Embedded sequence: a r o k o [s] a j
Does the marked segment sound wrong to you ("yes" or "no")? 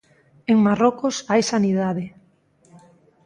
no